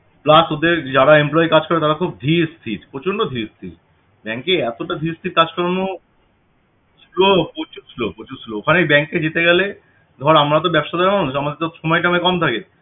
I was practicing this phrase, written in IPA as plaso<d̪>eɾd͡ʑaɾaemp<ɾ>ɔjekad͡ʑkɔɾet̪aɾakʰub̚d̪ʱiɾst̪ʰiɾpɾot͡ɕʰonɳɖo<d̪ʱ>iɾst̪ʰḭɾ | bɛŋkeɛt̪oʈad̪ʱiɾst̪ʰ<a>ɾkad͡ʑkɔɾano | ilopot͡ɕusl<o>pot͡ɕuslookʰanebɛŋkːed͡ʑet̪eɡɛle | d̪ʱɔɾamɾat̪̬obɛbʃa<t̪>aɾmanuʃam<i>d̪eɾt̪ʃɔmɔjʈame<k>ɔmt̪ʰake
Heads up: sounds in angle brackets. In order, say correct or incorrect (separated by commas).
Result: correct, incorrect, correct, incorrect, correct, incorrect, incorrect, correct